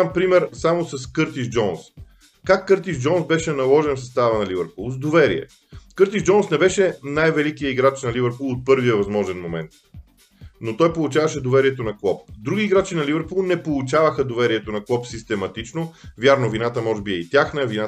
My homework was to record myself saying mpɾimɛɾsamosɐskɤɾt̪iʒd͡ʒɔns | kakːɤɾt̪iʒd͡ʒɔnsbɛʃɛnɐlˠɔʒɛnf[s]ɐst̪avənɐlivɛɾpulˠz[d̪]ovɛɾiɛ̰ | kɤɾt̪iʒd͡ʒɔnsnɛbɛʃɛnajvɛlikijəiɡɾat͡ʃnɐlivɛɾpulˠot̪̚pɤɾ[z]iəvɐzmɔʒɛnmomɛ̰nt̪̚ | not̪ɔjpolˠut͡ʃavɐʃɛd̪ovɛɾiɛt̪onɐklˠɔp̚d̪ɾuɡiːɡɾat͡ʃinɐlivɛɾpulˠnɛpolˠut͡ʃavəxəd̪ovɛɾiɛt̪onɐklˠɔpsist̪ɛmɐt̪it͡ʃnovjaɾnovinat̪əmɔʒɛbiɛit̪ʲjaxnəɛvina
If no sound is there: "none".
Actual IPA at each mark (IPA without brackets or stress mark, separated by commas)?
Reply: s, d̪, v